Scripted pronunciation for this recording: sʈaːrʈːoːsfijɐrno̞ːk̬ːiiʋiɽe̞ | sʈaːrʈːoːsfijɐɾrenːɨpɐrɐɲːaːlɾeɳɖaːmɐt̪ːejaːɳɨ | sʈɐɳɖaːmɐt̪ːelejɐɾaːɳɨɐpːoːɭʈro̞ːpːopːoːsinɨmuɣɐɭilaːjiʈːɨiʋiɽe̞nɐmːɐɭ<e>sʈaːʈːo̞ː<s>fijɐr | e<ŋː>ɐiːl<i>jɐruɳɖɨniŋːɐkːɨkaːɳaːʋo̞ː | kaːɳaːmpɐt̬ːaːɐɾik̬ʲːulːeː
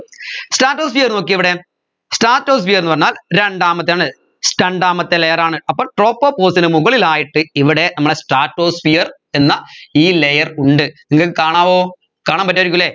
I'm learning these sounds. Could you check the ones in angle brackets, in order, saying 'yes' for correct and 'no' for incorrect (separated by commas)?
yes, yes, no, no